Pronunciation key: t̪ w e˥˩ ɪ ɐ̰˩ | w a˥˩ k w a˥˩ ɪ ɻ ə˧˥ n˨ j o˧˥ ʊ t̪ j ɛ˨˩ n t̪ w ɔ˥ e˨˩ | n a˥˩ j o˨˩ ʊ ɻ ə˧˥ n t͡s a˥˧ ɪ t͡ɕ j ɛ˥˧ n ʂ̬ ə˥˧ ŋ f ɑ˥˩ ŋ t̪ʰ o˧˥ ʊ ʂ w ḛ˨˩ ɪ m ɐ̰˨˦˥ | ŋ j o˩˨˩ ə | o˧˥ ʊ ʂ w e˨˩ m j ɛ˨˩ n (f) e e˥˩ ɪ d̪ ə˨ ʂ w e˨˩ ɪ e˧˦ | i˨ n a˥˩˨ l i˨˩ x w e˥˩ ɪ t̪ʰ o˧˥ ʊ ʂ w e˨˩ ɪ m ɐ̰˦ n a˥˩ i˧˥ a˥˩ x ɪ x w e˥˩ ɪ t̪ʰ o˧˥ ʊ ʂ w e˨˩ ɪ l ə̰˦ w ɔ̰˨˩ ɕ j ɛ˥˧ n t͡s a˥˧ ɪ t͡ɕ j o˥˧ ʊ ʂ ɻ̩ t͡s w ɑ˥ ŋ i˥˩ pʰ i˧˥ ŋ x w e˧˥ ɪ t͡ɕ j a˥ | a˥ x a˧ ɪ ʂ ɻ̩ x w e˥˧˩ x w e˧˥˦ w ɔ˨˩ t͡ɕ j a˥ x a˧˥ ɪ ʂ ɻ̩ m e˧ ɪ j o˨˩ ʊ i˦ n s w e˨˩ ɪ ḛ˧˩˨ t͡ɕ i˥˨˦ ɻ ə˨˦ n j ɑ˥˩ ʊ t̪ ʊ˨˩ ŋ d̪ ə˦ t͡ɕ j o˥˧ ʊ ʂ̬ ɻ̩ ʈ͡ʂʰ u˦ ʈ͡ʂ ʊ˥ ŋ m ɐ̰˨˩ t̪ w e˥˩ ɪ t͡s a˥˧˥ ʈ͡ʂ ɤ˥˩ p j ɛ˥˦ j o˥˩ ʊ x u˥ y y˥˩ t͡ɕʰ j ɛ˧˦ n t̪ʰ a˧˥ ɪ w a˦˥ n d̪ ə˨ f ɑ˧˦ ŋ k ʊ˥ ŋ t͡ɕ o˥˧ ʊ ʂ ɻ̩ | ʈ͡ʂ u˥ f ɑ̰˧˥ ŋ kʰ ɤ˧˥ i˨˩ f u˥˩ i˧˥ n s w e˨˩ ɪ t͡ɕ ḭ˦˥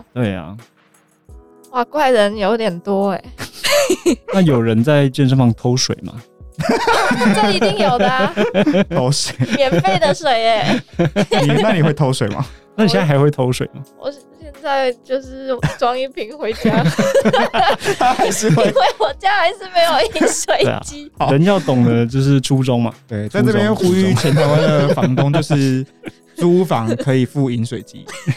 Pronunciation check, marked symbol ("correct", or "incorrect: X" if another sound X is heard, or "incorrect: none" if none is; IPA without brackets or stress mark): correct